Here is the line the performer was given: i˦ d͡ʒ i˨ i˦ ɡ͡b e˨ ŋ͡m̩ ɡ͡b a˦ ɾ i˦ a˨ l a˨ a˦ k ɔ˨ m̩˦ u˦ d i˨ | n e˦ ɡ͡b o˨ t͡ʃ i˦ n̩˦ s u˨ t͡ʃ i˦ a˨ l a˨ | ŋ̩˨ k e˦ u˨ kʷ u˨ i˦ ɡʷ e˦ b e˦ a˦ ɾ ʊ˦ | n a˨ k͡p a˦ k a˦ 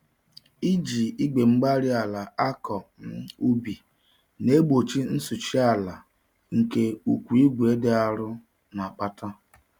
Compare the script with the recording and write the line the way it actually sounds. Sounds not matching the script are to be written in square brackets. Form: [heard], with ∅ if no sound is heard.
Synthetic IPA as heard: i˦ d͡ʒ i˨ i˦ ɡ͡b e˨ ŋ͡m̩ ɡ͡b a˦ ɾ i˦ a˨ l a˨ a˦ k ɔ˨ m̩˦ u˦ [b] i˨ | n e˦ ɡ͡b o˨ t͡ʃ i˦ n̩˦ s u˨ t͡ʃ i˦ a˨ l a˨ | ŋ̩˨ k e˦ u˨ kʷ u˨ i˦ ɡʷ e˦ [d] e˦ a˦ ɾ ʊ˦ | n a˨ k͡p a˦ [t] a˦